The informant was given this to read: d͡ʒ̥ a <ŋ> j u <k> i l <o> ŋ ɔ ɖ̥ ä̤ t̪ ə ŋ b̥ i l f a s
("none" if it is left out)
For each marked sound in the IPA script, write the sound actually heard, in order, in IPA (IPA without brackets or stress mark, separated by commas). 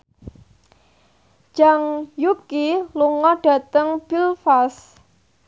ŋ, k, u